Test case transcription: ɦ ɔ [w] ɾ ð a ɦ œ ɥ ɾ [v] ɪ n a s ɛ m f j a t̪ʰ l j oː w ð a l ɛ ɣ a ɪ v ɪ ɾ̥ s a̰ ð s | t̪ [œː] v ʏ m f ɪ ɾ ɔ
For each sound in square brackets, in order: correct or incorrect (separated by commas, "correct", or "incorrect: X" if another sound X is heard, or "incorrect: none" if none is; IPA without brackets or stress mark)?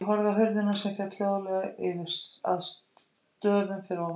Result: incorrect: none, incorrect: ð, correct